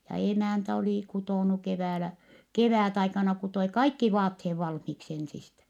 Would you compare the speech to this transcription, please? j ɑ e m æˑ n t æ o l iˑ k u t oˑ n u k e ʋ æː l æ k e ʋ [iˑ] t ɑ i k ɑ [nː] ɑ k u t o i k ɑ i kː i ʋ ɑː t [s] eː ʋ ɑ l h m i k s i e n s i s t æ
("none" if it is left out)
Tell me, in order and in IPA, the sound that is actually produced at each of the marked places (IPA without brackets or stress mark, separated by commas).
æˑ, n, h